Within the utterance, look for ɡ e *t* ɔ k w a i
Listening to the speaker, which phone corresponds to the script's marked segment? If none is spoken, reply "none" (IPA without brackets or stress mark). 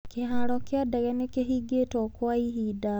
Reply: t